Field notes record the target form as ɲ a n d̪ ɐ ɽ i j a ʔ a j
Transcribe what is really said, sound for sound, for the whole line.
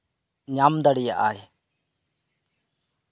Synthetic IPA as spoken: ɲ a m d̪ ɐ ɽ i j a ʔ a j